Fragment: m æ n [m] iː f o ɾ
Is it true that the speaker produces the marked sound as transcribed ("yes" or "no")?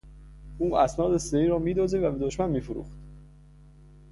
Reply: yes